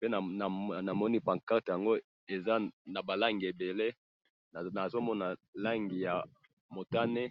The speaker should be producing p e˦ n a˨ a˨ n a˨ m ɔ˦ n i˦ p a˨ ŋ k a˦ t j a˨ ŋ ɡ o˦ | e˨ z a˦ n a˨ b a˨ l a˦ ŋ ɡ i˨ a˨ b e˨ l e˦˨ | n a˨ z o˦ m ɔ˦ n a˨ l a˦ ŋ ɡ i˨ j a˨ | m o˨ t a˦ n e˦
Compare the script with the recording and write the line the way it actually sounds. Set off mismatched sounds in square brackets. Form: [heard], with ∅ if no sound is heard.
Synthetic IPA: p e˦ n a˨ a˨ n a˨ m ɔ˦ n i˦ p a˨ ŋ k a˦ t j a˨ ŋ ɡ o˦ | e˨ z a˦ n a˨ b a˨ l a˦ ŋ ɡ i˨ [e˨] b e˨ l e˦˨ | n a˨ z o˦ m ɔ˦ n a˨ l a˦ ŋ ɡ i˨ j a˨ | m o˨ t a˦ n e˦